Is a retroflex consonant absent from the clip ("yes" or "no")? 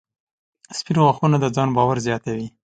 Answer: yes